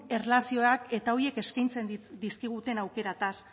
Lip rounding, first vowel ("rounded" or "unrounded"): unrounded